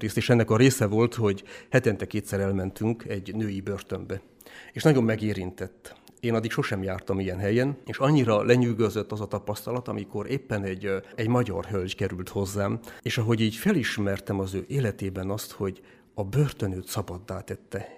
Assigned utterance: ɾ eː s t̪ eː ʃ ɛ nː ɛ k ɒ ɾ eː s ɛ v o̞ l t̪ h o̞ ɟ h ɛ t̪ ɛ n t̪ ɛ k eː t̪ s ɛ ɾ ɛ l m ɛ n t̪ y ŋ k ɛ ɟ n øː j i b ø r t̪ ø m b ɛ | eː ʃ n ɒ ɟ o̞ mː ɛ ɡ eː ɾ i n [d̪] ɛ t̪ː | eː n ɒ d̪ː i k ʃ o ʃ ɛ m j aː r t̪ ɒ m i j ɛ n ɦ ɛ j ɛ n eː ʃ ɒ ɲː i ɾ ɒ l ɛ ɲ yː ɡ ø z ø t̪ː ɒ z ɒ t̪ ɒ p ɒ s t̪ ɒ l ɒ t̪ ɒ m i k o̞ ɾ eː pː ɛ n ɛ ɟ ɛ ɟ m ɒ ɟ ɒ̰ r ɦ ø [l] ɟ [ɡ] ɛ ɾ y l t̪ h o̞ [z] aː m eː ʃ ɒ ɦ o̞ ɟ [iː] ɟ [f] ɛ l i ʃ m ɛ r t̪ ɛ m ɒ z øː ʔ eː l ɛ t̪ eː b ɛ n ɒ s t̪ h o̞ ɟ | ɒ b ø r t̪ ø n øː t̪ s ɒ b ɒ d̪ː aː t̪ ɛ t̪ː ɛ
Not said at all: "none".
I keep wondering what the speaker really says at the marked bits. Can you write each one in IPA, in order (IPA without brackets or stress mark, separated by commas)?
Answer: t̪, l, k, zː, iː, f